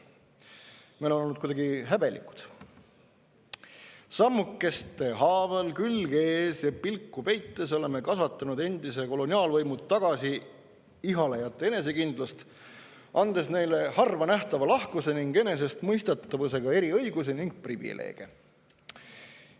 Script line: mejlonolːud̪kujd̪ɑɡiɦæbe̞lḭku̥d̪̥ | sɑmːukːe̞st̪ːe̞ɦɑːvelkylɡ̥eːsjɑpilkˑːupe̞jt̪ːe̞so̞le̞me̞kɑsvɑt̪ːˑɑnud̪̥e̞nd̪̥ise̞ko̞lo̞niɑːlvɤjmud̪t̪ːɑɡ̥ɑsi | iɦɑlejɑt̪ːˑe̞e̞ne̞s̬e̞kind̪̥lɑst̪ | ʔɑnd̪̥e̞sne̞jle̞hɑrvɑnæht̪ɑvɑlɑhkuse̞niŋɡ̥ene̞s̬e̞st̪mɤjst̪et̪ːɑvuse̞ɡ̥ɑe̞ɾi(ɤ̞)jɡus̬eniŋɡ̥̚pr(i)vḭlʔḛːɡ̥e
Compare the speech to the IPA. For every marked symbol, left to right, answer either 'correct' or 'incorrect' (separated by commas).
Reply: correct, correct